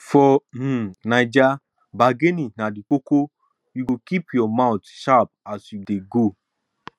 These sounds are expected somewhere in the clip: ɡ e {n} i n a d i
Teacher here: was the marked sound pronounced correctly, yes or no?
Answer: yes